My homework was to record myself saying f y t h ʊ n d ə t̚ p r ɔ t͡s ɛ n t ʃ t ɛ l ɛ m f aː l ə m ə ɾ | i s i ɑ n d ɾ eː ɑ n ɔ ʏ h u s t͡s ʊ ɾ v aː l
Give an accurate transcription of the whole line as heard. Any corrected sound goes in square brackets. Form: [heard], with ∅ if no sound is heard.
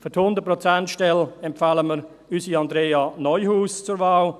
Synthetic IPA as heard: f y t h ʊ n d ə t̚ p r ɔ t͡s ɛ n t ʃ t ɛ l ɛ m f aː l ə m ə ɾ | [y] s i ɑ n d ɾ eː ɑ n ɔ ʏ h [uː] s t͡s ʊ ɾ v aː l